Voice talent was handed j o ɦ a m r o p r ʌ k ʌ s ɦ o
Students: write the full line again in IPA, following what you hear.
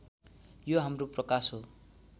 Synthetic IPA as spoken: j o ɦ a m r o p r ʌ k a s ɦ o